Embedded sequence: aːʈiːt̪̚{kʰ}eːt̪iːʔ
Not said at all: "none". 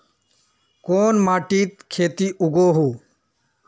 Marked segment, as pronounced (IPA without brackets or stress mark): kʰ